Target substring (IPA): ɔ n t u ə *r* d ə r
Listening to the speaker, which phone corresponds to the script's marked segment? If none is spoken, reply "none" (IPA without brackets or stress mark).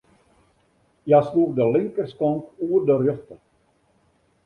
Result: r